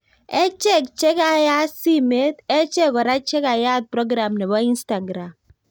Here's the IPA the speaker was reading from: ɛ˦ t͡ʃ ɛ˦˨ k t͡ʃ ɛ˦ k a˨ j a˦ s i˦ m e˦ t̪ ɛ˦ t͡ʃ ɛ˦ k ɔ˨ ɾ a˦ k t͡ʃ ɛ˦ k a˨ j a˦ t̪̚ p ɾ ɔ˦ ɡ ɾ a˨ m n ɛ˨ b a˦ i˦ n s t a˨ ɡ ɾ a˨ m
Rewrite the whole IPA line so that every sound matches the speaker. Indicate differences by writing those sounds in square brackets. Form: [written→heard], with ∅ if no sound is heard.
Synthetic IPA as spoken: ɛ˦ t͡ʃ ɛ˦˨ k t͡ʃ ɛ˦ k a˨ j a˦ s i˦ m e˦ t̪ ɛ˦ t͡ʃ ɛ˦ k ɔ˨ ɾ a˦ [k→∅] t͡ʃ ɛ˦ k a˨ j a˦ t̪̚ p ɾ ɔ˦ ɡ ɾ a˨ m n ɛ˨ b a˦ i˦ n s t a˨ ɡ ɾ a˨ m

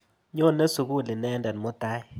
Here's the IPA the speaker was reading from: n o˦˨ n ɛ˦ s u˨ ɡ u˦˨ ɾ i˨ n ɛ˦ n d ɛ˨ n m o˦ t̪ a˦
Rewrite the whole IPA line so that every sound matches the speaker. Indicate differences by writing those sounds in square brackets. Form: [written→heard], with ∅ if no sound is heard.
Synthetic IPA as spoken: [n→ɲ] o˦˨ n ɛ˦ s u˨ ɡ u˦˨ [ɾ→l] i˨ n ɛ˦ n d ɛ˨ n m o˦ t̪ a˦

